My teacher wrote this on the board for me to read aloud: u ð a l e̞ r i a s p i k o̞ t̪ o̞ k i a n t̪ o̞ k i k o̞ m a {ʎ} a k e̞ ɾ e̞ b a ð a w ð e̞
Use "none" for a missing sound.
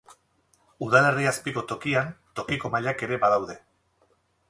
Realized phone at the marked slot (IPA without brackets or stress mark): ʎ